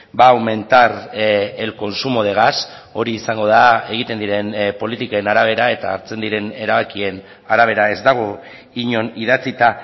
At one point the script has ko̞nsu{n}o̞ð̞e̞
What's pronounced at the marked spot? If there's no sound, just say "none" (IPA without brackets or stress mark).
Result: m